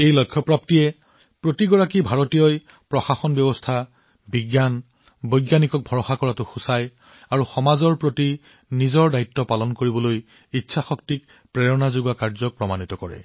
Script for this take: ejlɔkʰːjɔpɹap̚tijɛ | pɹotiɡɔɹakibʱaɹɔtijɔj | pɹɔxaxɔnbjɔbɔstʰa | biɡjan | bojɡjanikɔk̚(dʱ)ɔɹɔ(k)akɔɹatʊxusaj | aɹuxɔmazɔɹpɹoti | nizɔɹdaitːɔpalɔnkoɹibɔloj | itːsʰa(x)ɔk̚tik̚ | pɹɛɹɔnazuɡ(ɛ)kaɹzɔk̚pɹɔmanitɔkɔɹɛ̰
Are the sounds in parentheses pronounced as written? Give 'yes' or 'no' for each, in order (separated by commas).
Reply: no, no, yes, no